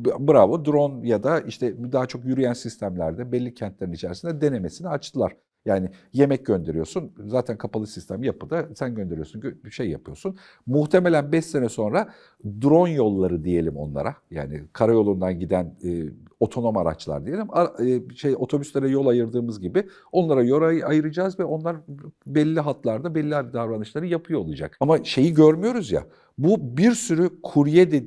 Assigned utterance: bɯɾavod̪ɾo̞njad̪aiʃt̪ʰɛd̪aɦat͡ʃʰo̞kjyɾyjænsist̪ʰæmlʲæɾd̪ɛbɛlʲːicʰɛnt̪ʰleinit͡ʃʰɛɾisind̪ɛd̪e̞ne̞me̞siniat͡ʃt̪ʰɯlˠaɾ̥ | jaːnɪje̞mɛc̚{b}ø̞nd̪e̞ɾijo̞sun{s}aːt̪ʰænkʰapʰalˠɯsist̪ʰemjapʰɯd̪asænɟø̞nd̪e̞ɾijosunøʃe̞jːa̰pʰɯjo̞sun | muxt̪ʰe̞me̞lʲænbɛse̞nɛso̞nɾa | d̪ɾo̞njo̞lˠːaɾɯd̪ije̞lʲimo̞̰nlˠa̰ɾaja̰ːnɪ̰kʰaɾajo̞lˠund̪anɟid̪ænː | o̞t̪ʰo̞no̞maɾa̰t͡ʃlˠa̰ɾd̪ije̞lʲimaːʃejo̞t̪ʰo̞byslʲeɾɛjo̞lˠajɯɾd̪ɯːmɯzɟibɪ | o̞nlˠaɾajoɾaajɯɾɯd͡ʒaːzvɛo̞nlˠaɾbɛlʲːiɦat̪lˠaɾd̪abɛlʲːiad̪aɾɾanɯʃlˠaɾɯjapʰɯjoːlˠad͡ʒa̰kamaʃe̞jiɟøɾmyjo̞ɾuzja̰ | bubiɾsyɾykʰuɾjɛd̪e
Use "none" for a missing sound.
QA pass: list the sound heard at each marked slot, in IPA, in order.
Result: ɟ, z

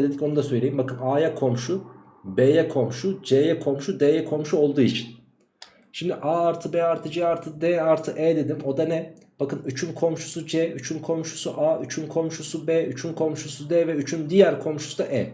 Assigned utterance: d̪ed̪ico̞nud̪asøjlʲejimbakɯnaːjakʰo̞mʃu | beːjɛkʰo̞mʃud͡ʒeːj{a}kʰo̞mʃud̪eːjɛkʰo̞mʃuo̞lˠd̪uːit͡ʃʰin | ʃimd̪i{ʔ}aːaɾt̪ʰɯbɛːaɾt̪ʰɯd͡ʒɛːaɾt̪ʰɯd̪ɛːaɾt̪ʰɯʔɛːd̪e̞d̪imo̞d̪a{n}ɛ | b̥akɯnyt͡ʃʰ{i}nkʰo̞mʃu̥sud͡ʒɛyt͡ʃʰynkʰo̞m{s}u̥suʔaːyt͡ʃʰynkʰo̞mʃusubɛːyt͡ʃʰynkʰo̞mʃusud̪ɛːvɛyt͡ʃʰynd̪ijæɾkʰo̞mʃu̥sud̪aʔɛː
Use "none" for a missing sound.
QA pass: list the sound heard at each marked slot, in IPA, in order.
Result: ɛ, ʔ, n, y, ʃ

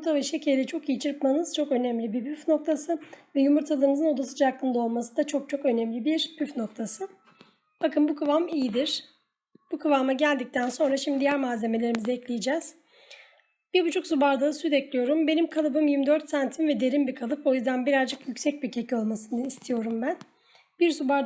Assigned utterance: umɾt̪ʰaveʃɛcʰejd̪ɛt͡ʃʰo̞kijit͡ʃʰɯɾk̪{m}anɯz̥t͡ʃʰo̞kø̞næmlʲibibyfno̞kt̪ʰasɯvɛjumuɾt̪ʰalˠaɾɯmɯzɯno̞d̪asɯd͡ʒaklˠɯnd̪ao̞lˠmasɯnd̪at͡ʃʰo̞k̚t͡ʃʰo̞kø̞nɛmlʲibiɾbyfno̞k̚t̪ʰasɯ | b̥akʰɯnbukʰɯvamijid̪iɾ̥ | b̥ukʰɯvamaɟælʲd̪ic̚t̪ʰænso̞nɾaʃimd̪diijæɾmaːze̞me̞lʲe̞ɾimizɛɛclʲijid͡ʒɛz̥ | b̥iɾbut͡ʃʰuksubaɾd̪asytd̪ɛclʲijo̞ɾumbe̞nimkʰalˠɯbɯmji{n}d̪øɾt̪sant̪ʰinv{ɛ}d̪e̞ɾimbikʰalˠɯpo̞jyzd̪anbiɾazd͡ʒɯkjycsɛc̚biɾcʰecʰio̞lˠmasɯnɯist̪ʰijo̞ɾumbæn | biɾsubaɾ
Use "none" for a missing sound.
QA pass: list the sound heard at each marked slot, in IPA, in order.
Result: m, m, ɛ

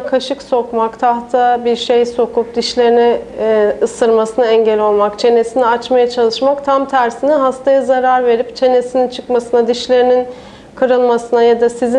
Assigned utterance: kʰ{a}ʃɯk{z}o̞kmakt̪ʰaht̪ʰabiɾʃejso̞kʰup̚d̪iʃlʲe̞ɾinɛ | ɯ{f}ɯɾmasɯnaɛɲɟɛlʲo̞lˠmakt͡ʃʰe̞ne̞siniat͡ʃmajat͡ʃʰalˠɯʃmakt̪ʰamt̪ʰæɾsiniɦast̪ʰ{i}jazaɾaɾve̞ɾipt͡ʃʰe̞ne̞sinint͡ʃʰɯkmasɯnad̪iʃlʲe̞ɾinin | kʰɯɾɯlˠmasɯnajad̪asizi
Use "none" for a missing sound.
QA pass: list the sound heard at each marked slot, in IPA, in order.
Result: a, s, s, a

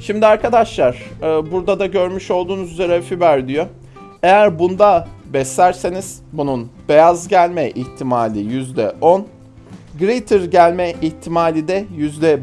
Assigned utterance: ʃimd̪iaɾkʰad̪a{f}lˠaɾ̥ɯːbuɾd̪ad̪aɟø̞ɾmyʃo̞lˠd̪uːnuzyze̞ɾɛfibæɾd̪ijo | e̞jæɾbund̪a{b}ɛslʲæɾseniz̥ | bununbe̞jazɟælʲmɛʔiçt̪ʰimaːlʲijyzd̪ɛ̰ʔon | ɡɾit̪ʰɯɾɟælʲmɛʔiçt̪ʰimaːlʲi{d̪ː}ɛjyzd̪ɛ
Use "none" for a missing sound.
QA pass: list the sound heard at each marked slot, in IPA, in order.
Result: ʃ, b, d̪

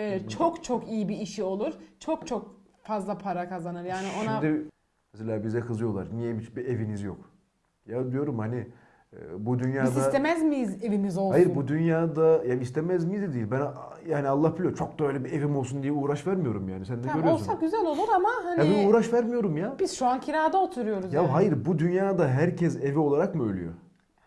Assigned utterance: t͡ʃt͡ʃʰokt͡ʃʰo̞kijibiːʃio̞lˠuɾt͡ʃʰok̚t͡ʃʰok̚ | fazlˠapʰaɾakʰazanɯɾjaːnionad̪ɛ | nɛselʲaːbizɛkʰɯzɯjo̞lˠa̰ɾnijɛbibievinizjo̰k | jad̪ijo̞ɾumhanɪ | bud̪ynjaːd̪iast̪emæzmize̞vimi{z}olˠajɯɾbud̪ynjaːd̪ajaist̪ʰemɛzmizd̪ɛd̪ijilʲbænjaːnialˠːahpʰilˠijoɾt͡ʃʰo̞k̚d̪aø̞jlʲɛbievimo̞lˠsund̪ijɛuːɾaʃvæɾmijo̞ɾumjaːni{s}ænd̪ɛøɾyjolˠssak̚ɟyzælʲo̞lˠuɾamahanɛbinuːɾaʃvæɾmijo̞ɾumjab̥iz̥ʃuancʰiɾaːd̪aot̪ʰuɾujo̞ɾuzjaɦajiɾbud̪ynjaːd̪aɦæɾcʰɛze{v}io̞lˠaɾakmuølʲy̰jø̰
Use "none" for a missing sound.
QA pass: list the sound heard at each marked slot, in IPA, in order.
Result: z, s, v

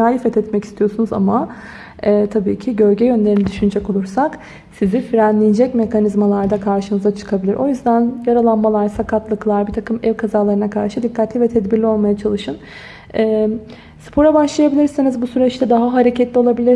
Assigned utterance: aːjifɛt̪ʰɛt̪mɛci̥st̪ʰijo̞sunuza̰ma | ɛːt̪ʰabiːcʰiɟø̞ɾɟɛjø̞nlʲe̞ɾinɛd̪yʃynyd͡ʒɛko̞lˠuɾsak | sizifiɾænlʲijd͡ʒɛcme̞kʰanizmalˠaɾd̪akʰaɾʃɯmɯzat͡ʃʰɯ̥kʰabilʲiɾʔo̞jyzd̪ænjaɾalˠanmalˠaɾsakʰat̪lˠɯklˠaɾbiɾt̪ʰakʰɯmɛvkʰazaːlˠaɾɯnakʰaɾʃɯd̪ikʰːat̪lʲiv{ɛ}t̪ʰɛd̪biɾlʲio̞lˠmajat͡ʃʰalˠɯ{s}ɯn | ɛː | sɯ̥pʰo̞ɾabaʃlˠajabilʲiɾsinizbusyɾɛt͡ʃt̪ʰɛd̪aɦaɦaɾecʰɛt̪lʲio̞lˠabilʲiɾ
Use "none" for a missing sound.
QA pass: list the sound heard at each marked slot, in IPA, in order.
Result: ɛ, ʃ

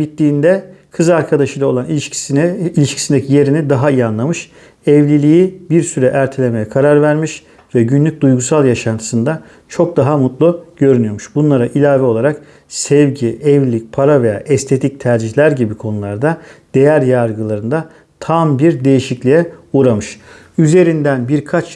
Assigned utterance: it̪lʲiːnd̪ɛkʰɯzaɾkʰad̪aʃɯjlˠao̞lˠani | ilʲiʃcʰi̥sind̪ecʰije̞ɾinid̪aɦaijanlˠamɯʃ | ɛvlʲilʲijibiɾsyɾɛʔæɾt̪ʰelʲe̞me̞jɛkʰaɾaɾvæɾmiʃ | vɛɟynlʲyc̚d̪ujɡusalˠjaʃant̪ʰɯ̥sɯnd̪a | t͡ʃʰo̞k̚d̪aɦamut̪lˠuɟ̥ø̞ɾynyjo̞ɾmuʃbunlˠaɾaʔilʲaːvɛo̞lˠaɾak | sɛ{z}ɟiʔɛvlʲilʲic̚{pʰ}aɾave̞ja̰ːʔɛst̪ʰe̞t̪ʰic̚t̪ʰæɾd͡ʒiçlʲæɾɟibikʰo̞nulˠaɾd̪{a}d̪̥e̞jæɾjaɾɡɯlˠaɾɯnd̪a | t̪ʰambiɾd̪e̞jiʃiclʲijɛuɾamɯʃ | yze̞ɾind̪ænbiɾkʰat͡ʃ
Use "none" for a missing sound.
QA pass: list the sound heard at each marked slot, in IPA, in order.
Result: v, pʰ, a

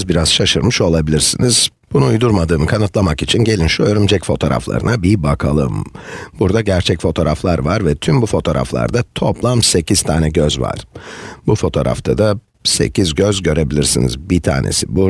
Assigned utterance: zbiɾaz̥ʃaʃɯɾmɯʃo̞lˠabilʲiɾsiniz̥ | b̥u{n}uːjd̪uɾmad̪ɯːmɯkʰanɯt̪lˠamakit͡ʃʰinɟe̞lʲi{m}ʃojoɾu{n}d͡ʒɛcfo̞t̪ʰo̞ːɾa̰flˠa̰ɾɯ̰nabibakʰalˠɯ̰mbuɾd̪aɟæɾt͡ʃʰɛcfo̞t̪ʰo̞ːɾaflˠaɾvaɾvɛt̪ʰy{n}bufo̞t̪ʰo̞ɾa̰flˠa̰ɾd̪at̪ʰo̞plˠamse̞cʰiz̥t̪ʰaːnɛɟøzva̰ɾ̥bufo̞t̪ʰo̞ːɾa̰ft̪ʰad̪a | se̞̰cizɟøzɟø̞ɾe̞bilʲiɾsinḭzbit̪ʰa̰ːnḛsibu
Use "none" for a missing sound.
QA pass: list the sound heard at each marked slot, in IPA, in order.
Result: n, n, m, m

